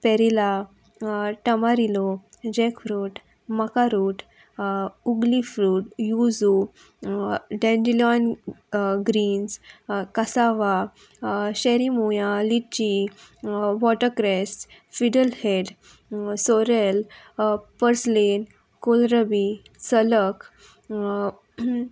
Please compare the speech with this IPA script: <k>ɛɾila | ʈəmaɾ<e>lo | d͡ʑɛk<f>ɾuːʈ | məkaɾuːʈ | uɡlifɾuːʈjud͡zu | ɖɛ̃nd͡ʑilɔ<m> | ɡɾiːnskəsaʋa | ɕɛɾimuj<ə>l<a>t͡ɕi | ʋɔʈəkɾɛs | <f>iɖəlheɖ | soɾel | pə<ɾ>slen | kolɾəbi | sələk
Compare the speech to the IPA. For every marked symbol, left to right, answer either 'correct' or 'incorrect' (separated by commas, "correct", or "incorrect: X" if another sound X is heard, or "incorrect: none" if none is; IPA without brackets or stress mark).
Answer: incorrect: p, incorrect: i, correct, incorrect: n, incorrect: a, incorrect: i, correct, correct